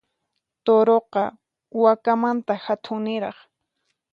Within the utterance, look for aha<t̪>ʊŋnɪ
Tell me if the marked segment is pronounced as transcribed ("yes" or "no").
no